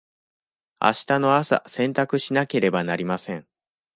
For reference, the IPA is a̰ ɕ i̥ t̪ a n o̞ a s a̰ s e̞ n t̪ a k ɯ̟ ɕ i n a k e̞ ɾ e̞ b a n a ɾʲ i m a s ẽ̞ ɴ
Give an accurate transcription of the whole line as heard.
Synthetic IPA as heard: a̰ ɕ i̥ t̪ a n o̞ a s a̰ s ẽ̞ n t̪ a k ɯ̟ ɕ i n a k e̞ ɾ e̞ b a n a ɾʲ i m a s ẽ̞ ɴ